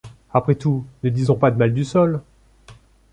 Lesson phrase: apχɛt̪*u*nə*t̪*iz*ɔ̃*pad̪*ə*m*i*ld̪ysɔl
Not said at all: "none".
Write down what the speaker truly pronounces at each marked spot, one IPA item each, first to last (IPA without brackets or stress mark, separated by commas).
u, d̪, ɔ̃, ə, a